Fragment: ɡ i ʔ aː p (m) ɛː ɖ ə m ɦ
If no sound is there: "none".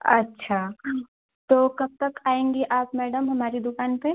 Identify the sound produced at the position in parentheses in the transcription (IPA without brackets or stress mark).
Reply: m